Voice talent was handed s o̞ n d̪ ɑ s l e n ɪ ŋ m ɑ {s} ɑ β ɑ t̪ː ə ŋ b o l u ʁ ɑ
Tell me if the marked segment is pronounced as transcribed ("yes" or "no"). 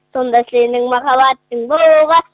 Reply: no